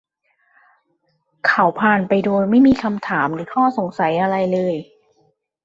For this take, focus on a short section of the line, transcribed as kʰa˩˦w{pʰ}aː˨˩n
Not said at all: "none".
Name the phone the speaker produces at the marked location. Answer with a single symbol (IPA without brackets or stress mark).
pʰ